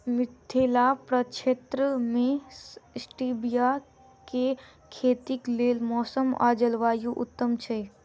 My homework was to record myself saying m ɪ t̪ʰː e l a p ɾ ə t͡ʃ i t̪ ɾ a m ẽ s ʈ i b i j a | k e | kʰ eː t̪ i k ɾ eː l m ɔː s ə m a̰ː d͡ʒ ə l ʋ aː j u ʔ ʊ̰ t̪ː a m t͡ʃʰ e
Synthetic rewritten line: m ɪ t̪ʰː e l a p ɾ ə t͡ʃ e t̪ ɾ ə m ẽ s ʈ i b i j a | k e | kʰ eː t̪ i k l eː l m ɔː s ə m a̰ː d͡ʒ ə l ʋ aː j u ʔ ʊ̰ t̪ː ə m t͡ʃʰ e